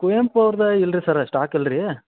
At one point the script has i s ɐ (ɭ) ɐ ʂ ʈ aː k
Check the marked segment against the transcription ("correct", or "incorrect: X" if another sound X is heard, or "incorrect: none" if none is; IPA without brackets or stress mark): incorrect: ɾ